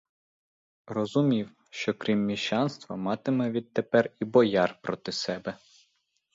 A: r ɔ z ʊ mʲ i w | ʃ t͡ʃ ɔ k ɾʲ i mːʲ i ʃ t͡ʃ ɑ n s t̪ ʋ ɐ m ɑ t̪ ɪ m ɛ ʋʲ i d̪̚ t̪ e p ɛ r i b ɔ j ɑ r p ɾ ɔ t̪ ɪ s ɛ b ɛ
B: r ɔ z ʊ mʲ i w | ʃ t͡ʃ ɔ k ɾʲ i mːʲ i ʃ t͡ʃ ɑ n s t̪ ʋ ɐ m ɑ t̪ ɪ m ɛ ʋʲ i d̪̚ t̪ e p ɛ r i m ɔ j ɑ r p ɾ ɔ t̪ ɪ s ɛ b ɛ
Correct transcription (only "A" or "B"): A